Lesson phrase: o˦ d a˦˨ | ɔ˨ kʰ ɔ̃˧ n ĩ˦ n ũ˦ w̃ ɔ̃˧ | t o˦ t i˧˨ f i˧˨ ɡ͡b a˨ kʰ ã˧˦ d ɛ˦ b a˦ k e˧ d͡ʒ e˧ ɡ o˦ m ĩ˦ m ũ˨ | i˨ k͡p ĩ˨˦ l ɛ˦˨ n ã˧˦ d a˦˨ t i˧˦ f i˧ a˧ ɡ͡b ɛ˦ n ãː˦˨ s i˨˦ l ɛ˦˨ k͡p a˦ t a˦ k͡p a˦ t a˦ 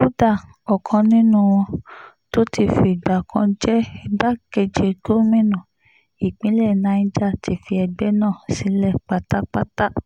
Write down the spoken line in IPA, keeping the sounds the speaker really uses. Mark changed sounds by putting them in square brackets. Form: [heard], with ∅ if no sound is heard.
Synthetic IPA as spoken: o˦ d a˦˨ | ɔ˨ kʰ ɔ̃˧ n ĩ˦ n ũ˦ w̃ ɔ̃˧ | t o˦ t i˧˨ f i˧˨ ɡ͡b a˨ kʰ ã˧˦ [d͡ʒ] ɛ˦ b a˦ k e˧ d͡ʒ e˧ ɡ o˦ m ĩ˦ [n] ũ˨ | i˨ k͡p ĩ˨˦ l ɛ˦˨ n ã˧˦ [d͡ʒ] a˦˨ t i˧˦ f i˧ [ɛ˧] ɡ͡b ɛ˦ n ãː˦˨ s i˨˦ l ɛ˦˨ k͡p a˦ t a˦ k͡p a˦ t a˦